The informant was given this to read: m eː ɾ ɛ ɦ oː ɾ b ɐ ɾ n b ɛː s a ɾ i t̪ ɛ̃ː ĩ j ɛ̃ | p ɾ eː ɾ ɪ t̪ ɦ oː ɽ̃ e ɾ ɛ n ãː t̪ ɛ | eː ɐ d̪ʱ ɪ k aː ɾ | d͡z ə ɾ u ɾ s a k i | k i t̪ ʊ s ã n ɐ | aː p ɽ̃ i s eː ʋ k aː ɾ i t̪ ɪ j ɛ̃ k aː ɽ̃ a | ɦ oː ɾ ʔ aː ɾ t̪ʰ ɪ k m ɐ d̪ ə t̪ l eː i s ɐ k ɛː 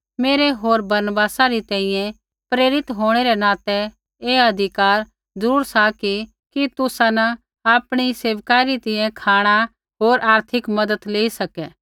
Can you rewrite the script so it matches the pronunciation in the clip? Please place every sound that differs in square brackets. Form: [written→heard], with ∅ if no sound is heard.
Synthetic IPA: m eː ɾ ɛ ɦ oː ɾ b ɐ ɾ n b [ɛː→aː] s a ɾ i t̪ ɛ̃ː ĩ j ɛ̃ | p ɾ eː ɾ ɪ t̪ ɦ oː ɽ̃ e ɾ ɛ n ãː t̪ ɛ | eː ɐ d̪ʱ ɪ k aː ɾ | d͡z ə ɾ [u→uː] ɾ s a k i | k i t̪ ʊ s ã n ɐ | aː p ɽ̃ i s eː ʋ k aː ɾ i t̪ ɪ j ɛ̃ [k→kʰ] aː ɽ̃ a | ɦ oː ɾ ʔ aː ɾ t̪ʰ ɪ k m ɐ d̪ ə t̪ l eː i s ɐ k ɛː